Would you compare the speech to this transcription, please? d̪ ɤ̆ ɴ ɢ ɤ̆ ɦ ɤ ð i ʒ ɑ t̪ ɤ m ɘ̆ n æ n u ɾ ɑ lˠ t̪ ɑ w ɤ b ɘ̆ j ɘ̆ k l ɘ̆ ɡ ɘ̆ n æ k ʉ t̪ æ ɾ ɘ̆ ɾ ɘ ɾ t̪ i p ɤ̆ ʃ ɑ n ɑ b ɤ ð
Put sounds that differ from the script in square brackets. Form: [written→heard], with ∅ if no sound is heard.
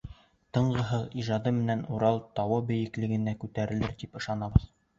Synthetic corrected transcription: [d̪→t̪] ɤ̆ ɴ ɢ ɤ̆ ɦ ɤ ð i ʒ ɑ [t̪→d̪] ɤ m ɘ̆ n æ n u ɾ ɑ lˠ t̪ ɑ w ɤ b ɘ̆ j ɘ̆ k l ɘ̆ ɡ ɘ̆ n æ k ʉ t̪ æ ɾ ɘ̆ [ɾ→l] ɘ ɾ t̪ i p ɤ̆ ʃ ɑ n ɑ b ɤ ð